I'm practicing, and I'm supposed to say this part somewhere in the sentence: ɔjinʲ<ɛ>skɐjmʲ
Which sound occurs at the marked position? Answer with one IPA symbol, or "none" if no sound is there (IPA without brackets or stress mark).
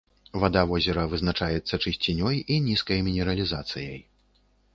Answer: i